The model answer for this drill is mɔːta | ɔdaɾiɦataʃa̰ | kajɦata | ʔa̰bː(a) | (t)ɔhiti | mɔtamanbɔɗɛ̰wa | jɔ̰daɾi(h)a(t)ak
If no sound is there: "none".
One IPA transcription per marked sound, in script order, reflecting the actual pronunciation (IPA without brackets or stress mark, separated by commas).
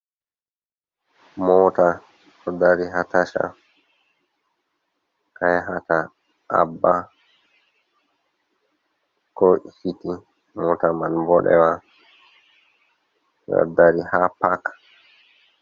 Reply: a, k, h, p